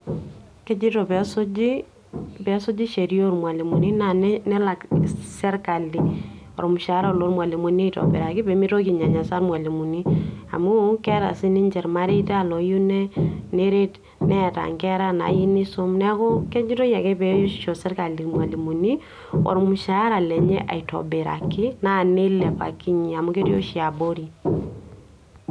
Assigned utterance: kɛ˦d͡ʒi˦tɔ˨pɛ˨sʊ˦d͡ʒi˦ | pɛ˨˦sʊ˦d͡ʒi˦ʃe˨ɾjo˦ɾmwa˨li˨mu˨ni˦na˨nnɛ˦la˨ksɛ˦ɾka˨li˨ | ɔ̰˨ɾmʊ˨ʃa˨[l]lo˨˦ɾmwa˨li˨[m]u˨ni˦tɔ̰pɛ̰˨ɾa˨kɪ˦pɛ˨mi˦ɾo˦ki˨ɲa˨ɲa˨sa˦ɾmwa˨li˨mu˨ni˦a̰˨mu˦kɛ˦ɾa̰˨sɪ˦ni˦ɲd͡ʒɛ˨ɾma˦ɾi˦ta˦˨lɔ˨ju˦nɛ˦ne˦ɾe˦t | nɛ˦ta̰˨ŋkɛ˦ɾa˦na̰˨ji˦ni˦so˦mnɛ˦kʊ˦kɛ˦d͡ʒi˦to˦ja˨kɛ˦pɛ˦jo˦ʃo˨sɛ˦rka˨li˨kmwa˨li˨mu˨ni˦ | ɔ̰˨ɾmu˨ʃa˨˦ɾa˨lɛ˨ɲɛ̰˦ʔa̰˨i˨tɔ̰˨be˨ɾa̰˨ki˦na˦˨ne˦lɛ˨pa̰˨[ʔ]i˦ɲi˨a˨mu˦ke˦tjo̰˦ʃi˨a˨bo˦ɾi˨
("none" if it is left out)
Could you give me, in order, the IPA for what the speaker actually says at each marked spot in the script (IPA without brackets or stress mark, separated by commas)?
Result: ɾ, m, k